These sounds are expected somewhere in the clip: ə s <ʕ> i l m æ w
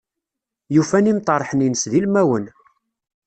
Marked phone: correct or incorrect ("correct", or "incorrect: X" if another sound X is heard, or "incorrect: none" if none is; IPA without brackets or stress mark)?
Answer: incorrect: ð